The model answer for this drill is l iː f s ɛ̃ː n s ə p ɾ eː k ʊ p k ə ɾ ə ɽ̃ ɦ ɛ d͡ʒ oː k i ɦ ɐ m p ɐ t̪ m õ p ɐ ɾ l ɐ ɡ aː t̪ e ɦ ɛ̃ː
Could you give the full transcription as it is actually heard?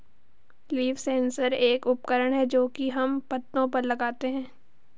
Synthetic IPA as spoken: l iː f s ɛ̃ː n s ə ɾ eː k ʊ p k ə ɾ ə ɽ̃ ɦ ɛ d͡ʒ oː k i ɦ ɐ m p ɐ t̪ n õ p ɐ ɾ l ɐ ɡ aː t̪ e ɦ ɛ̃ː